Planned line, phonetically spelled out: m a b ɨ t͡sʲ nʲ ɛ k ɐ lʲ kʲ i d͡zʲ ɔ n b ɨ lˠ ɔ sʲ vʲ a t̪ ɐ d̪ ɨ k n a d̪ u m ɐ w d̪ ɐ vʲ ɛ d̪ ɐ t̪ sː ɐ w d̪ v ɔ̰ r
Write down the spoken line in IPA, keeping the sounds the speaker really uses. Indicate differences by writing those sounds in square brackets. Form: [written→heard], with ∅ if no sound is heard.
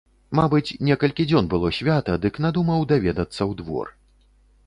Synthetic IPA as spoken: m a b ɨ t͡sʲ nʲ ɛ k ɐ lʲ kʲ i d͡zʲ ɔ n b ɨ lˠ ɔ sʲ vʲ a t̪ ɐ d̪ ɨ k n a d̪ u m ɐ w d̪ [ɐ→a] vʲ ɛ d̪ ɐ t̪ sː ɐ w d̪ v ɔ̰ r